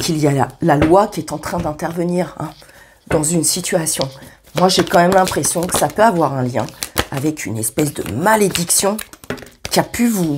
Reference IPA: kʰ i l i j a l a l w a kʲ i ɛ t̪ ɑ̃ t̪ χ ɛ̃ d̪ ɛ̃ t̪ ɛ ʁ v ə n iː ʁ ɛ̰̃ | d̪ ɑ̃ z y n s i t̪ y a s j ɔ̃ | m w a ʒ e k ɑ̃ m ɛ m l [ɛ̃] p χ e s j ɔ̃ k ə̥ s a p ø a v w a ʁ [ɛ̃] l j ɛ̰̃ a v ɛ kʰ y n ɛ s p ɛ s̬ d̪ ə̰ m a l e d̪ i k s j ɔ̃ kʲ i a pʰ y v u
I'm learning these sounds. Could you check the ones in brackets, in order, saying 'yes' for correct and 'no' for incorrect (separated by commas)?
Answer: yes, yes